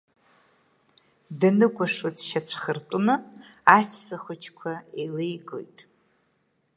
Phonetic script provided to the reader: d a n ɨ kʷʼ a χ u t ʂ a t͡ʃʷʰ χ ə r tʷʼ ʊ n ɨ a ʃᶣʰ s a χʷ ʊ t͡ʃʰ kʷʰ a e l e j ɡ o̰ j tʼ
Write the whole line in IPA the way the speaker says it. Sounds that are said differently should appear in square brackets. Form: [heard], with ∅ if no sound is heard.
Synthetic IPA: d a n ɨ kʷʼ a [ʂ] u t [ʃ] a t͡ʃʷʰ χ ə r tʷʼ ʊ n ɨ a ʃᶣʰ s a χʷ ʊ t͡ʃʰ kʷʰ a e l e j ɡ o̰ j tʼ